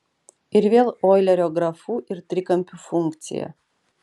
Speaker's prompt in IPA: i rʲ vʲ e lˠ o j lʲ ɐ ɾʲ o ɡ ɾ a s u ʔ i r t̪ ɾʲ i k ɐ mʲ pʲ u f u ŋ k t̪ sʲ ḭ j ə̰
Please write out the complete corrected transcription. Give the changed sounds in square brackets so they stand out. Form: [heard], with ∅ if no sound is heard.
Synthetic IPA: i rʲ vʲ e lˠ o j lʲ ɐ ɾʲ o ɡ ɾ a [f] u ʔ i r t̪ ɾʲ i k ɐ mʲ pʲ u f u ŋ k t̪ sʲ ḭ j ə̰